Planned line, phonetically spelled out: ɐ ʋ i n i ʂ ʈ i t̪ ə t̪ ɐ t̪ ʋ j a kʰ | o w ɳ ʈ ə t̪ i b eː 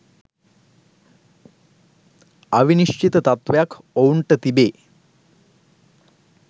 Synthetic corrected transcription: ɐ ʋ i n i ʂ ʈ i t̪ ə t̪ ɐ t̪ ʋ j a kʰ | o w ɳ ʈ ə t̪ i b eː